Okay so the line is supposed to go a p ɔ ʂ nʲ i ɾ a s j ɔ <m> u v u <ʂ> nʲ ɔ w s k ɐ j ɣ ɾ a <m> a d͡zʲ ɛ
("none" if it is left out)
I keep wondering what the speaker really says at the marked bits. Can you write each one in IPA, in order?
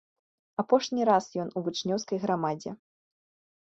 n, t͡ʂ, m

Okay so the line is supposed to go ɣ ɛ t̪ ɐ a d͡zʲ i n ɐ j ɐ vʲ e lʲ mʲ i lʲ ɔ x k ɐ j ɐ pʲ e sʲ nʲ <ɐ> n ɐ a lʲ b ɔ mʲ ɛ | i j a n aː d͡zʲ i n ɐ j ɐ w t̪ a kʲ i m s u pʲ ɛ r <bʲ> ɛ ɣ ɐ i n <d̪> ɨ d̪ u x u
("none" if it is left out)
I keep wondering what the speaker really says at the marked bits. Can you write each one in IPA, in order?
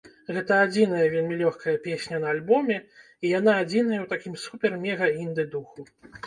ɐ, mʲ, d̪

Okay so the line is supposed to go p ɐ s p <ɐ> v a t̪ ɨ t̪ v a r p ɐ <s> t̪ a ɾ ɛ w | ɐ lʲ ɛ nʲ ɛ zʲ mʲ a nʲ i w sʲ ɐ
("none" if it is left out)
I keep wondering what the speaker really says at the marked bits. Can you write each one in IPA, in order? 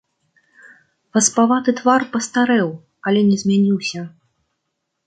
a, s

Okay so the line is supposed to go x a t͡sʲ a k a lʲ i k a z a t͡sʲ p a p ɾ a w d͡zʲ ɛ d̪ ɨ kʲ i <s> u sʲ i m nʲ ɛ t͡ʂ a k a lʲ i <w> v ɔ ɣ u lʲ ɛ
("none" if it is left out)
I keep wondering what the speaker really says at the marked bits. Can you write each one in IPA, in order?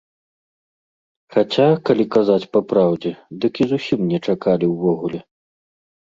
z, w

